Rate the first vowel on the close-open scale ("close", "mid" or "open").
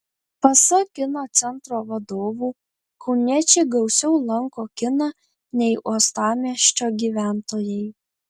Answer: open